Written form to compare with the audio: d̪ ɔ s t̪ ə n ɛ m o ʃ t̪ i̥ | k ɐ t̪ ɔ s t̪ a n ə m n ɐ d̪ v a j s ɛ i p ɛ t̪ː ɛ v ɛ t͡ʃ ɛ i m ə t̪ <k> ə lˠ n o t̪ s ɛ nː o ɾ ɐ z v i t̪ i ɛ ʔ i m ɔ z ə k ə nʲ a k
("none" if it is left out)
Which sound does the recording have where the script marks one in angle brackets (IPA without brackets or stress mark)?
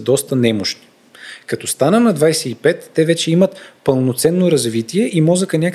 p